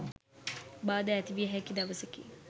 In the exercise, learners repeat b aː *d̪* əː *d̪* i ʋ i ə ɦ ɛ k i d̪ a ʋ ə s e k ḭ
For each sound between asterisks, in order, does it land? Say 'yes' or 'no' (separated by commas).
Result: yes, no